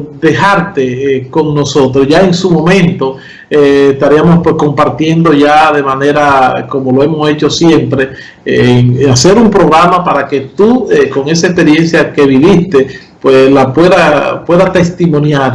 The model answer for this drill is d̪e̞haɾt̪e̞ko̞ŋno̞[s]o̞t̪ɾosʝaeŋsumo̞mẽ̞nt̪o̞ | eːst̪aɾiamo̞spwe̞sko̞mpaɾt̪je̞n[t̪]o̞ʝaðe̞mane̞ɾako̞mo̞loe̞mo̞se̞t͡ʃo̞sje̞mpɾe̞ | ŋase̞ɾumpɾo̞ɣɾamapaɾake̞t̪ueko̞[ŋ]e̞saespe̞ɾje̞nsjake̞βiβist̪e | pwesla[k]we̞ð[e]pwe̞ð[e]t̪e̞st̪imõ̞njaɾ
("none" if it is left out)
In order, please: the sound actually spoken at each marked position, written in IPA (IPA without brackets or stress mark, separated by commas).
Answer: s, d̪, ŋ, p, a, a